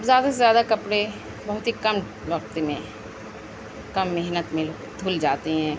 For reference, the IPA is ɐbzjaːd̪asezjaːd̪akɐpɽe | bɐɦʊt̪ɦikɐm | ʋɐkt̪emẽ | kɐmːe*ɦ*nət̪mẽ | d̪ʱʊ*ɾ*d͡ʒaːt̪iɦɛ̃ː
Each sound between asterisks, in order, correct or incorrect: correct, incorrect

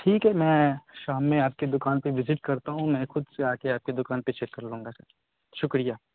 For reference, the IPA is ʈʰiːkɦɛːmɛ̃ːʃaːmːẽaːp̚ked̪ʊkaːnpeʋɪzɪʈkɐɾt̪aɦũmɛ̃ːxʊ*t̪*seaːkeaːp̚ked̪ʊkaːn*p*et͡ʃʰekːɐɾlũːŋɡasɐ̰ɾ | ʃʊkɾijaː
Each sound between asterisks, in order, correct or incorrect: incorrect, correct

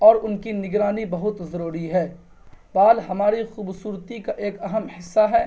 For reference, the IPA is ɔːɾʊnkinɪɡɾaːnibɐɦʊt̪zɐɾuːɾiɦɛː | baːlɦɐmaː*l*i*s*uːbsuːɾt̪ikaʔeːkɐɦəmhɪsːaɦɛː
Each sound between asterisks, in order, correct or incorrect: incorrect, incorrect

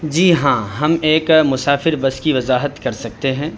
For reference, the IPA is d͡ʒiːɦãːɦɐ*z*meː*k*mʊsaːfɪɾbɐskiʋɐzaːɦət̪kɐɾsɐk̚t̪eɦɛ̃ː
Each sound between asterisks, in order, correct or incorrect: incorrect, correct

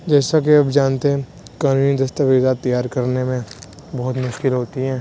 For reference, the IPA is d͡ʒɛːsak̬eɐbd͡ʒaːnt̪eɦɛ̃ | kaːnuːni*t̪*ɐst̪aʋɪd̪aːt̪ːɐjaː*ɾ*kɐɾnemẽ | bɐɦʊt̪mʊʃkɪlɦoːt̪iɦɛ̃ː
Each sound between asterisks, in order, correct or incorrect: incorrect, correct

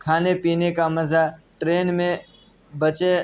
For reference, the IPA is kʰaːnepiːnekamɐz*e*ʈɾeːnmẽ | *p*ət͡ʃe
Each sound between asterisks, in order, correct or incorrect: incorrect, incorrect

